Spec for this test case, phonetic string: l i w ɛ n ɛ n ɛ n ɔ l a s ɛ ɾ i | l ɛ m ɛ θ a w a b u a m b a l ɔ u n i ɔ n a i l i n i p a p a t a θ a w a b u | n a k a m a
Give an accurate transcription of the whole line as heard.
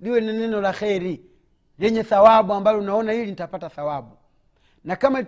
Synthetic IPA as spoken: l i w ɛ n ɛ n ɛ n ɔ l a x ɛ ɾ i | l ɛ ɲ ɛ θ a w a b u a m b a l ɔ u n a ɔ n a i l i n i t a p a t a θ a w a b u | n a k a m a